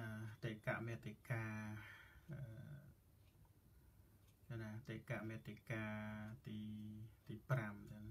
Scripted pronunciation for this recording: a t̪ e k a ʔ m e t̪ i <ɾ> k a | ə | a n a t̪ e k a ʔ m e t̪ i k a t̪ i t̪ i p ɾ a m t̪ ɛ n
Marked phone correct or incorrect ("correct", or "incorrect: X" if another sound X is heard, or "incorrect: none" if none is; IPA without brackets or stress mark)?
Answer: incorrect: none